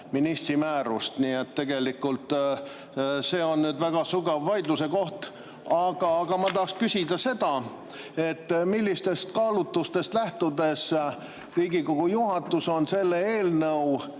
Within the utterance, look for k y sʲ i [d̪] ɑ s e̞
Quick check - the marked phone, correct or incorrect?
correct